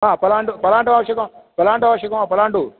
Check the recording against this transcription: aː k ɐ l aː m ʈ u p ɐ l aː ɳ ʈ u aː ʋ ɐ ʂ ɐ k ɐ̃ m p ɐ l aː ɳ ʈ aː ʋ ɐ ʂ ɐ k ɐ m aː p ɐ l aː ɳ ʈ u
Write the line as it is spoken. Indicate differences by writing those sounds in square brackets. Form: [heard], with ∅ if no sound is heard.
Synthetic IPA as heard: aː [p] ɐ l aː [ɳ] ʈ u p ɐ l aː ɳ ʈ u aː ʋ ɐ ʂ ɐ k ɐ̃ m p ɐ l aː ɳ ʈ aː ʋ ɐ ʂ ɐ k ɐ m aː p ɐ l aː ɳ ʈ u